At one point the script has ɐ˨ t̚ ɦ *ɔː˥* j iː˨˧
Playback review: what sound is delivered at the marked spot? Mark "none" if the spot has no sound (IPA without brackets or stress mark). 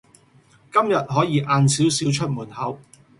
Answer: ɔː˨˥